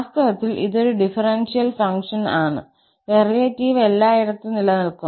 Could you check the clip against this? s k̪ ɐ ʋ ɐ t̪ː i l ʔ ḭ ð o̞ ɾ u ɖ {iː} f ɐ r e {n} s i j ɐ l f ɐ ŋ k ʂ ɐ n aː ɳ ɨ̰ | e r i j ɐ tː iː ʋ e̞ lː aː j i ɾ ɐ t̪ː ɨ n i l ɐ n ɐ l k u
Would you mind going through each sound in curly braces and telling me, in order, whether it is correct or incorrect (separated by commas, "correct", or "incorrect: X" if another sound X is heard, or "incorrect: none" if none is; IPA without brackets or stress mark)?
incorrect: i, correct